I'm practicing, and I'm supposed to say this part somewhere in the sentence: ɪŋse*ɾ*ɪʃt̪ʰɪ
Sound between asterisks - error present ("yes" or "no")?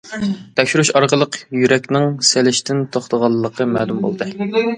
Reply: yes